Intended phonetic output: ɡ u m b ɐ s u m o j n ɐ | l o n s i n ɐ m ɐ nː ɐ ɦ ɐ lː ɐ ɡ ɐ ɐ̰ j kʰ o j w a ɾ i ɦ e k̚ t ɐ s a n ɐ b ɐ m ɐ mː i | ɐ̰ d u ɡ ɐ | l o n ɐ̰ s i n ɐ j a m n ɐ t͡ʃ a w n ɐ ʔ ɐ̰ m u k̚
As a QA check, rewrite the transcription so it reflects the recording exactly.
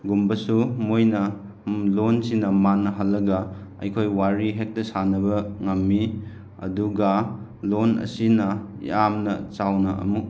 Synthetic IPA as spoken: ɡ u m b ɐ s u m o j n ɐ | l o n s i n ɐ m a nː ɐ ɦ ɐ lː ɐ ɡ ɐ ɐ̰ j kʰ o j w a ɾ i ɦ e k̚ t ɐ s a n ɐ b ɐ ŋ ɐ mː i | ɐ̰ d u ɡ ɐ | l o n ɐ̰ s i n ɐ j a m n ɐ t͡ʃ a w n ɐ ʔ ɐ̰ m u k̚